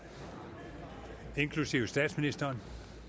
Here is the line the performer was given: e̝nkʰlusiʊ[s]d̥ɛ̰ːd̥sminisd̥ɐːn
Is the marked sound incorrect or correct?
correct